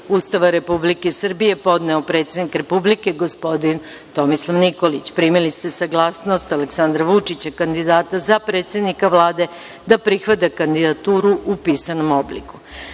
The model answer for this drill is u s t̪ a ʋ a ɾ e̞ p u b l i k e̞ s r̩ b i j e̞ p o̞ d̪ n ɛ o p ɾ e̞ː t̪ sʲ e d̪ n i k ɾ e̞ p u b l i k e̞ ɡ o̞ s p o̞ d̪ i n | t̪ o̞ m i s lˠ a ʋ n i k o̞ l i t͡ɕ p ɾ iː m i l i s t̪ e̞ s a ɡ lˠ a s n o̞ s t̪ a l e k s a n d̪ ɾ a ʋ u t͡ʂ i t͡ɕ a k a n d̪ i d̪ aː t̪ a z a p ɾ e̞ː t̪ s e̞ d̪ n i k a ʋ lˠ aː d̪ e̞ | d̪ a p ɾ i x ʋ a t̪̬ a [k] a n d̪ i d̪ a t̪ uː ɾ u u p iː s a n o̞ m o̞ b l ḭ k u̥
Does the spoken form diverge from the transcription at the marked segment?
no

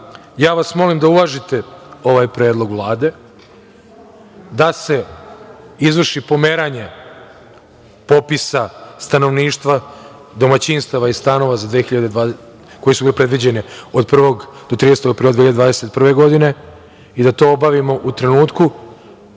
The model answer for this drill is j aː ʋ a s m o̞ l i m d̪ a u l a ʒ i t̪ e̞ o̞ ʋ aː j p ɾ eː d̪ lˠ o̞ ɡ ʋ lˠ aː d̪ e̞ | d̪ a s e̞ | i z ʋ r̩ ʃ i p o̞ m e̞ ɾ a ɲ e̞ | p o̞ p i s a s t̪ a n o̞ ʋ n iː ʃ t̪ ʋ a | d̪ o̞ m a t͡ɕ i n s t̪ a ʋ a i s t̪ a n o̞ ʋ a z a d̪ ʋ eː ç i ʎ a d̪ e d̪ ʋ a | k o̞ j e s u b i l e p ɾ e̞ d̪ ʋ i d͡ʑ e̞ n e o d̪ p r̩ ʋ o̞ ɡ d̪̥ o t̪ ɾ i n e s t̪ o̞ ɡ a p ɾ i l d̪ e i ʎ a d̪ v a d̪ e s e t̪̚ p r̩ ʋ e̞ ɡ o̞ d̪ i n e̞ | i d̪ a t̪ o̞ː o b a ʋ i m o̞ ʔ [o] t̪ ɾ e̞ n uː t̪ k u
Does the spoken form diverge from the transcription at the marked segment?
yes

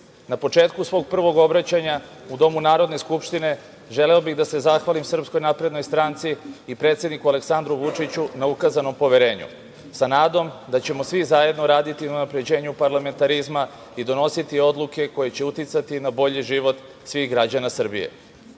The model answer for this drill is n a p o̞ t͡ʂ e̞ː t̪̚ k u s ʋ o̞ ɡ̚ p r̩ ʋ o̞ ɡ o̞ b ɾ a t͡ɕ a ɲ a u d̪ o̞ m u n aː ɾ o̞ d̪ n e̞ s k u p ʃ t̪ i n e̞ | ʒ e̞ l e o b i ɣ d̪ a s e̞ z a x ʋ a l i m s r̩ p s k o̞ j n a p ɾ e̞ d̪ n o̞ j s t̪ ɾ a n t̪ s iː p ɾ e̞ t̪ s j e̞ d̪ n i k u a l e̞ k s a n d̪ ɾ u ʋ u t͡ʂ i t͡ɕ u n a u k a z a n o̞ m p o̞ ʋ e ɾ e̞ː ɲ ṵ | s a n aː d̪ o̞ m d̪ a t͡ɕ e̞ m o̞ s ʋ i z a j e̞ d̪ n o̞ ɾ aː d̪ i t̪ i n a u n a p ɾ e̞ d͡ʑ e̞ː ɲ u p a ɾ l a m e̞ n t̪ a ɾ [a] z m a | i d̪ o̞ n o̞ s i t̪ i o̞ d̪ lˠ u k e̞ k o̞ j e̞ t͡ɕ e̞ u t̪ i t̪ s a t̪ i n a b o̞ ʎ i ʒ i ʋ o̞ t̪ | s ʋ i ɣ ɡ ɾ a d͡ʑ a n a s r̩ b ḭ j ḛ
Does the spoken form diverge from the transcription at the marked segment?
yes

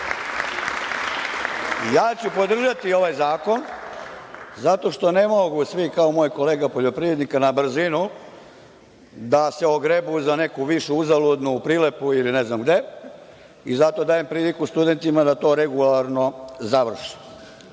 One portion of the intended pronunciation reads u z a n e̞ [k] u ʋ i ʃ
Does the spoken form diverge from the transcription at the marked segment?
no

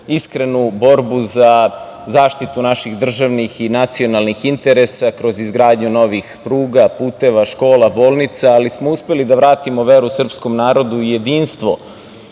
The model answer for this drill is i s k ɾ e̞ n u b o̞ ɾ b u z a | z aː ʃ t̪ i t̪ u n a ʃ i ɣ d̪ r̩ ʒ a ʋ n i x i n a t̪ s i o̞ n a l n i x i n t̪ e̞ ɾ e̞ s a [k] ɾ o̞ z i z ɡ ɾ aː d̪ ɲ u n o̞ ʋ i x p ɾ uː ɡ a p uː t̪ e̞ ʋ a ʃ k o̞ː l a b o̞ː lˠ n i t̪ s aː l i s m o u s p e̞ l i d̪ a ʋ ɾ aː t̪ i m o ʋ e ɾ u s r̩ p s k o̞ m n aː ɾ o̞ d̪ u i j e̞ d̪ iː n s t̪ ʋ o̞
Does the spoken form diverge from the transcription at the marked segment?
no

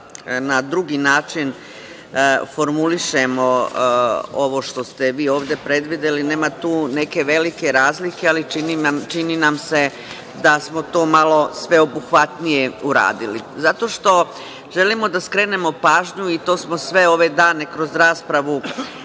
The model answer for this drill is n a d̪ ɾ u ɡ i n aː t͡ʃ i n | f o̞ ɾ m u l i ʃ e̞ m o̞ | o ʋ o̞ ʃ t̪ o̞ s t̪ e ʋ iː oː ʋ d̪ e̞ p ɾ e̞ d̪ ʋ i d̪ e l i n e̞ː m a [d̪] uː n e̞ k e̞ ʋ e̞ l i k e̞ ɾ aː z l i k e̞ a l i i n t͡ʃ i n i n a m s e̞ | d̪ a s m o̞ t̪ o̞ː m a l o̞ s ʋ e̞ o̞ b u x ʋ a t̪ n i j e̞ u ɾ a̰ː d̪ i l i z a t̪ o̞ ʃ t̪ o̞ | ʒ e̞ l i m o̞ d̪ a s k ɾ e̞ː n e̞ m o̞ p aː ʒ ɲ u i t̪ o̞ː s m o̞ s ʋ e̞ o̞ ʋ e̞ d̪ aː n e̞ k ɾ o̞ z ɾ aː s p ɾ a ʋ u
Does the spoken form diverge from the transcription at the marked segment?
yes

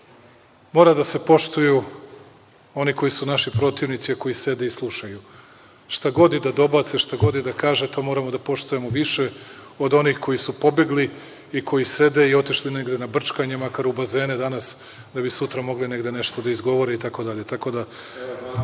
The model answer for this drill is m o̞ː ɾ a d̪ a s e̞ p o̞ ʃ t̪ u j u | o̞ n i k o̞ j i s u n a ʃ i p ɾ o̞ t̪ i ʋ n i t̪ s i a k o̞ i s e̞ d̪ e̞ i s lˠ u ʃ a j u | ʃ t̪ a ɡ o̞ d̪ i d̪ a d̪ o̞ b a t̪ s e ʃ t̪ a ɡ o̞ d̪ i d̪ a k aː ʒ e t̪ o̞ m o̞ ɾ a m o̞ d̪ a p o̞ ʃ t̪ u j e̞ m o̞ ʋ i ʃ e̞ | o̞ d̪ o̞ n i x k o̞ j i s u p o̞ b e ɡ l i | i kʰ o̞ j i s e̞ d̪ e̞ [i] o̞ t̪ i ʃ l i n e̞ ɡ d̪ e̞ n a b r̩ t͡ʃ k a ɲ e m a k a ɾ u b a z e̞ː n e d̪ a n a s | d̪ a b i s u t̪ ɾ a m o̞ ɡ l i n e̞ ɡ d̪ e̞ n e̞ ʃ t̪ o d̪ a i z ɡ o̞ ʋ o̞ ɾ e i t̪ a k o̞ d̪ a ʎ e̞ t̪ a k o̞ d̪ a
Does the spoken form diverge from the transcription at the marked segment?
no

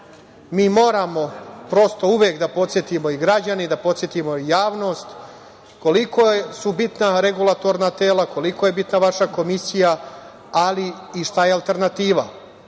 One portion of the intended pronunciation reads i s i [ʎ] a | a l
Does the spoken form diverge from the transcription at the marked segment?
yes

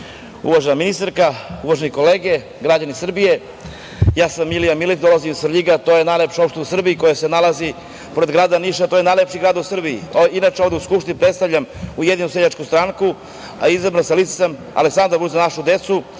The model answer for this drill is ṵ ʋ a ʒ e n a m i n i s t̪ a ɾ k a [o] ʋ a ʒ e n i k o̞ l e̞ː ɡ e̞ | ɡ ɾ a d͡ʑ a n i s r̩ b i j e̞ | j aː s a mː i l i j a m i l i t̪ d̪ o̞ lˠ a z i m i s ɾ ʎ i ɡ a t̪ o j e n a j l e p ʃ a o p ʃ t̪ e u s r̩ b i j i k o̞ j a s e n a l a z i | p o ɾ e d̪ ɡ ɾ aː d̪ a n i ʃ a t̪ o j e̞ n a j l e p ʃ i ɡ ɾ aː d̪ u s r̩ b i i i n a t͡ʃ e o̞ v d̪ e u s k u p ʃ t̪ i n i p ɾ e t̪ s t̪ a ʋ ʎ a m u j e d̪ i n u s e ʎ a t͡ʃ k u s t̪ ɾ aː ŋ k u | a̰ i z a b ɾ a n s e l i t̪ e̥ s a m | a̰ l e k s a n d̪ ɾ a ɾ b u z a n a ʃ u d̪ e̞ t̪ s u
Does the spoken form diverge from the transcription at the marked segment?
yes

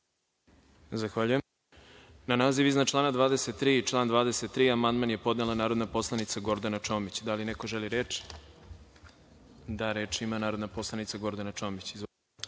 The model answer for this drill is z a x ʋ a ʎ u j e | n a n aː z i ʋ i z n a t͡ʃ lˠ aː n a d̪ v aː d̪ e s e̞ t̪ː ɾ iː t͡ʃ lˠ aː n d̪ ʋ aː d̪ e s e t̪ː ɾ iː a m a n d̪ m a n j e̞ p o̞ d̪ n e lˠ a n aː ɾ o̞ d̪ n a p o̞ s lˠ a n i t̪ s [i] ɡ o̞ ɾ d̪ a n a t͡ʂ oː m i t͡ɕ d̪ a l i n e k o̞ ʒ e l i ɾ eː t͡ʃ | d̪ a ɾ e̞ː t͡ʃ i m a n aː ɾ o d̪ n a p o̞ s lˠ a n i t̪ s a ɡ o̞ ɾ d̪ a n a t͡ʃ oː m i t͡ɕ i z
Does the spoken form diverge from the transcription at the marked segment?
yes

